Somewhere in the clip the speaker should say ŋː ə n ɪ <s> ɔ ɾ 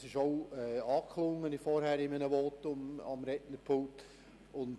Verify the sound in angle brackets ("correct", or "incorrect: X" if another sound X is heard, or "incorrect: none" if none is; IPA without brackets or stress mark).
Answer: incorrect: f